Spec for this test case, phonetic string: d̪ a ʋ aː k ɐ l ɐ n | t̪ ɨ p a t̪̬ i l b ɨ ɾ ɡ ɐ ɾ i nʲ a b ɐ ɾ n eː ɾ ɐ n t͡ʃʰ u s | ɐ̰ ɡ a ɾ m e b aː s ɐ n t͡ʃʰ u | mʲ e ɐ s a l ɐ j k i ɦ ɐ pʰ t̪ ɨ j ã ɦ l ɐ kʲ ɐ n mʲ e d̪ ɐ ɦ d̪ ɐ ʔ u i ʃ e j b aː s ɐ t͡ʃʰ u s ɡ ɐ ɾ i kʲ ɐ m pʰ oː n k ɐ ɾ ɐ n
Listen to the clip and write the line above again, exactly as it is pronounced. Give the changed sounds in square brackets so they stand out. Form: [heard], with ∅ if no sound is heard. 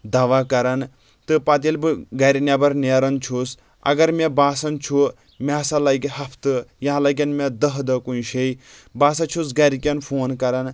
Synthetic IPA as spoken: d̪ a ʋ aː k ɐ [ɾ] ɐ n | t̪ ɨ p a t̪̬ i l b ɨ [∅] ɡ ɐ ɾ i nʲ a b ɐ ɾ n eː ɾ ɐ n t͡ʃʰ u s | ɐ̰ ɡ [ɐ] ɾ m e b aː s ɐ n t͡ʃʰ u | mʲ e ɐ s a l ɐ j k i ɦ ɐ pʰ t̪ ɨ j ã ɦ l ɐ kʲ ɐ n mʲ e d̪ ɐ ɦ d̪ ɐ [k] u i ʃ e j b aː s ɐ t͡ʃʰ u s ɡ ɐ ɾ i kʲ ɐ [n] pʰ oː n k ɐ ɾ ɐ n